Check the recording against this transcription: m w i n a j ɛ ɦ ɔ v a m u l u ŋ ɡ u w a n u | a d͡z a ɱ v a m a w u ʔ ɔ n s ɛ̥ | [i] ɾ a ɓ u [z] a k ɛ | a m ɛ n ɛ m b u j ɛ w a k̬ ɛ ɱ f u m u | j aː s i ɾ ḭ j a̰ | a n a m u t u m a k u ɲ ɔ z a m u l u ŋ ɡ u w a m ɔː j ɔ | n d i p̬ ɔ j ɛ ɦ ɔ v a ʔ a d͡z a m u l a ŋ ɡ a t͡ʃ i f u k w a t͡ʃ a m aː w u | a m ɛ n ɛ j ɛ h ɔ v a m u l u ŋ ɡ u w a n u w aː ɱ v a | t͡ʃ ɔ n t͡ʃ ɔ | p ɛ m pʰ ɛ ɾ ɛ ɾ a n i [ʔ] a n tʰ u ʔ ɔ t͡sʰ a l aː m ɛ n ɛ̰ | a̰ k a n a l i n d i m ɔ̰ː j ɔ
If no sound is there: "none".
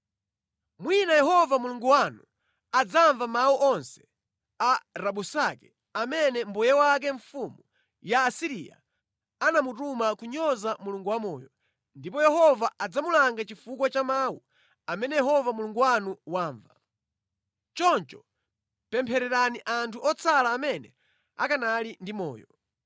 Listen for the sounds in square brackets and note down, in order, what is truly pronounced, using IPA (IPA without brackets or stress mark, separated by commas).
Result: a, s, ʔ